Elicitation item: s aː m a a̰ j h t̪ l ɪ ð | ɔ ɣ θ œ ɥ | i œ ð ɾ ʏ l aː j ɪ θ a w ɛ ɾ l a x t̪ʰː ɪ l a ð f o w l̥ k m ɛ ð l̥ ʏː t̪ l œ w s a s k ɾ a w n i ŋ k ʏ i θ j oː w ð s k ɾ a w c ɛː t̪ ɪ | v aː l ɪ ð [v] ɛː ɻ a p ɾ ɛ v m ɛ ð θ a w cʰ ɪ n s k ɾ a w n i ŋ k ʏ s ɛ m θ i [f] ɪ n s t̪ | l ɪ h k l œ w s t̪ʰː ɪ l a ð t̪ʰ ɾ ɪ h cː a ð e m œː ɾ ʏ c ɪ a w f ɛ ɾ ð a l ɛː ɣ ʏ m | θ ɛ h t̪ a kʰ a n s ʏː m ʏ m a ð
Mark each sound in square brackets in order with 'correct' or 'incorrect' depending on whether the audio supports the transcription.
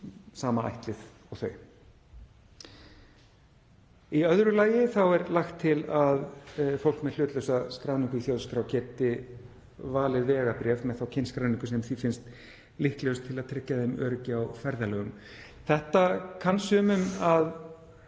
correct, correct

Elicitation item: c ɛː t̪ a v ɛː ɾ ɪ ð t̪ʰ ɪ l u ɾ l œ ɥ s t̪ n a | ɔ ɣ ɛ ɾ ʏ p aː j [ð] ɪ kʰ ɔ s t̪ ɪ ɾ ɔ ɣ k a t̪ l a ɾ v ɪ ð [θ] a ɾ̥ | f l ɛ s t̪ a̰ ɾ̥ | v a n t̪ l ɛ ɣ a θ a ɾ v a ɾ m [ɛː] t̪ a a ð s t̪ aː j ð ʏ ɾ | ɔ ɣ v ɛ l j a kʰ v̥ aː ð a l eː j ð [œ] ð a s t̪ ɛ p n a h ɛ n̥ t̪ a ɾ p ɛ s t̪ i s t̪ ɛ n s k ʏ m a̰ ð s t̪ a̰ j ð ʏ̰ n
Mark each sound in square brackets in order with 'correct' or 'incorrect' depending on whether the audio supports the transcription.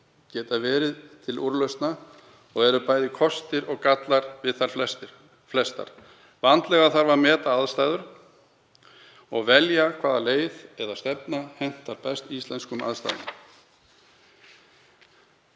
correct, correct, correct, incorrect: ɛ

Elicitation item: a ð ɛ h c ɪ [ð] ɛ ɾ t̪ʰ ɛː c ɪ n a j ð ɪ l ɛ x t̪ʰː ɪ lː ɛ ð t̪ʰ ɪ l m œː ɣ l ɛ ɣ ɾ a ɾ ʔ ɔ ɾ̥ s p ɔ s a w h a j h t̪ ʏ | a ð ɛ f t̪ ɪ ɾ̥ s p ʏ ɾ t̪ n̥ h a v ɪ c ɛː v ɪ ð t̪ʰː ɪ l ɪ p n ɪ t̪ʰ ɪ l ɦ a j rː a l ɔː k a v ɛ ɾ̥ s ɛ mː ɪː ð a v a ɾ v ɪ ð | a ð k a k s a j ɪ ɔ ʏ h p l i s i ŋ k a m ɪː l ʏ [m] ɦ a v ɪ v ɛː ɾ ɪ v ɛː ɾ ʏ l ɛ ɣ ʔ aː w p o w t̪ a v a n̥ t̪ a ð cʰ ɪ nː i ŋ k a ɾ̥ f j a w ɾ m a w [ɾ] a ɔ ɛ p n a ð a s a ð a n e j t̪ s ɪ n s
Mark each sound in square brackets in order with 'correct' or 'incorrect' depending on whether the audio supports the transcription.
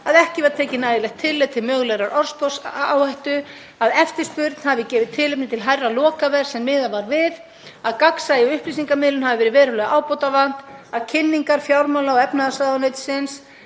incorrect: v, incorrect: n, incorrect: l

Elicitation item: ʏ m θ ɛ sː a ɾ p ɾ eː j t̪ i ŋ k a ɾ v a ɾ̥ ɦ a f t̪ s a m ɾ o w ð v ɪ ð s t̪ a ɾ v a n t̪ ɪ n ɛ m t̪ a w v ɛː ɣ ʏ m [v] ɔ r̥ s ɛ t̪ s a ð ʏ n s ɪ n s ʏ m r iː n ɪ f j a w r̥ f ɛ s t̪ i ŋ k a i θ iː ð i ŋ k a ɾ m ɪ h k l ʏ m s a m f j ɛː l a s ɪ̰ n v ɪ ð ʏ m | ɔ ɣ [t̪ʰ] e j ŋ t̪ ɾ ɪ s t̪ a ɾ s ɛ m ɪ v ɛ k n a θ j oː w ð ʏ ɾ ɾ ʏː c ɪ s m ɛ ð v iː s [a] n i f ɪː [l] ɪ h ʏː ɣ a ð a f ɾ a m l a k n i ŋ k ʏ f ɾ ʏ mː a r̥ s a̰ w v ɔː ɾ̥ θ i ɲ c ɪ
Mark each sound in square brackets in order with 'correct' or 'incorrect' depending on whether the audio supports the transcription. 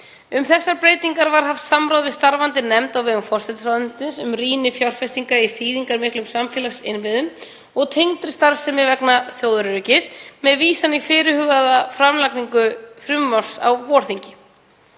incorrect: f, correct, correct, incorrect: ɾ

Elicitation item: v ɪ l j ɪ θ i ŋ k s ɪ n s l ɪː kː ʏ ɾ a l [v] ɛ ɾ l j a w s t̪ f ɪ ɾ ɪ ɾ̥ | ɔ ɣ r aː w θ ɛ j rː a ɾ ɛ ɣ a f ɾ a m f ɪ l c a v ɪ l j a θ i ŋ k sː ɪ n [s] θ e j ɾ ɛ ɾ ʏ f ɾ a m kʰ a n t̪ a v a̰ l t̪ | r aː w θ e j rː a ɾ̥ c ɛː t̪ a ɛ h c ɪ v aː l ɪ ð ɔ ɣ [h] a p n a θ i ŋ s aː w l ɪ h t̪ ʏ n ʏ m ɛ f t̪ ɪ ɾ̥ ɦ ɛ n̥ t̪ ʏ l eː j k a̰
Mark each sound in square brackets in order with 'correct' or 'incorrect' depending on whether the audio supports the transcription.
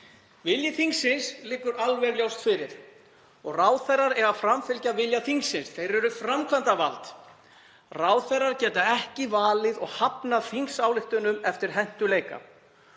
correct, correct, correct

